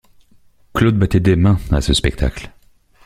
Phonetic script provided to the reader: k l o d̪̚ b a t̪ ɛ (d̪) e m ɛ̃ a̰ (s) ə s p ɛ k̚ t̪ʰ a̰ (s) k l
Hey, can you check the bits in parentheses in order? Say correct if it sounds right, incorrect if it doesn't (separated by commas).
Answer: correct, correct, incorrect